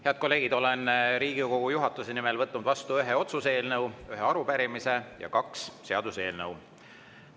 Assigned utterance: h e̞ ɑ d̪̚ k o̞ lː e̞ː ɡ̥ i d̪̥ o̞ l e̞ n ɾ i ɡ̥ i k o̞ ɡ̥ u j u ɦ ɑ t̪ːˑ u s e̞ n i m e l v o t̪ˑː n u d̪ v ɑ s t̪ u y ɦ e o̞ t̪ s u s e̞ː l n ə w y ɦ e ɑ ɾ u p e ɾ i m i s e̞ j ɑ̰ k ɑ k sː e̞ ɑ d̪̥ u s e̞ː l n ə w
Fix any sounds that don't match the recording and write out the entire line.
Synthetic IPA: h e̞ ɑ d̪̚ k o̞ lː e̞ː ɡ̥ i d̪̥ o̞ l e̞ n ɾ iː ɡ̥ i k o̞ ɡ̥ u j u ɦ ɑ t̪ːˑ u s e̞ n i m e l v ɤ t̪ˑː n u d̪ v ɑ s t̪ u y ɦ e o̞ t̪ s u s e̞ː l n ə w y ɦ e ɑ ɾ u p æ ɾ i m i s e̞ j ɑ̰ k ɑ k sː e̞ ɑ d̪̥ u s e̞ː l n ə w

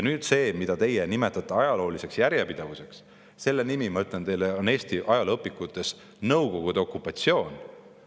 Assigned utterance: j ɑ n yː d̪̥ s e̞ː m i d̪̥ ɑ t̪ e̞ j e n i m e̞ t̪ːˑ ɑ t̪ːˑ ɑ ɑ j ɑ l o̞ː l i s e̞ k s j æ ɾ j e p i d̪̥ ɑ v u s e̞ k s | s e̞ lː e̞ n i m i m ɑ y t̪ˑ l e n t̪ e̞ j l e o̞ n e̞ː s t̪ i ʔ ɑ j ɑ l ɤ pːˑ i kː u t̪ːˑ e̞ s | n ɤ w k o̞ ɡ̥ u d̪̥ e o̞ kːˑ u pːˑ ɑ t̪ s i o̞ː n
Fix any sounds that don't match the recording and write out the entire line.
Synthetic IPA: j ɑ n yː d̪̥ s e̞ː m i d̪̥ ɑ t̪ e̞ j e n i m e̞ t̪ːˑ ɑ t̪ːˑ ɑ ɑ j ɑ l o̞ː l i s e̞ k s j æ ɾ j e p i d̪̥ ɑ v u s e̞ k s | s e̞ lː e̞ n i m i m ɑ y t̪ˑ l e n t̪ e̞ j l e o̞ n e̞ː s t̪ i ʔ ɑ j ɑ l ɤ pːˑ i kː u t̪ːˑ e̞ s | n ɤ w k o̞ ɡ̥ u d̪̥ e o̞ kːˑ u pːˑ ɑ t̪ s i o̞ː n

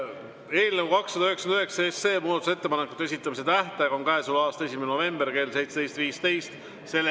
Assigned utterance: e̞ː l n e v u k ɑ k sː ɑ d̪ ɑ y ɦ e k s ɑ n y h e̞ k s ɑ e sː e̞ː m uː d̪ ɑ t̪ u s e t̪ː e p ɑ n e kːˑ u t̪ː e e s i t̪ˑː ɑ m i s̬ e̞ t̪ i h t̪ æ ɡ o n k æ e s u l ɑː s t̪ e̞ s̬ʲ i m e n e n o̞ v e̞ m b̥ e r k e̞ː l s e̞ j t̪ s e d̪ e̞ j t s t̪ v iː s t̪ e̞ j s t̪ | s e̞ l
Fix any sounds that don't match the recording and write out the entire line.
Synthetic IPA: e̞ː l n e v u k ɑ k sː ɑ d̪ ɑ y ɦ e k s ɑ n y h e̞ k s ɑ e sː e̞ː m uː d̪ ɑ t̪ u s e t̪ː e p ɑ n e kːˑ u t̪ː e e s i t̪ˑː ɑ m i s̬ e̞ t̪ æ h t̪ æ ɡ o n k æ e s u l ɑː s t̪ e̞ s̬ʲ i m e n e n o̞ v e̞ m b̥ e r k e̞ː l s e̞ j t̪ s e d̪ e̞ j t s t̪ v iː s t̪ e̞ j s t̪ | s e̞ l

